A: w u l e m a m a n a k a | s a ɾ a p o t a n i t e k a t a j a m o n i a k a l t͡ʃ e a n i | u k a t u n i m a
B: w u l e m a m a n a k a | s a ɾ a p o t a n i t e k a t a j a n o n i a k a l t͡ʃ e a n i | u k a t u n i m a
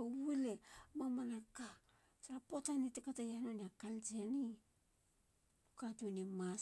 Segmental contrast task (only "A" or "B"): B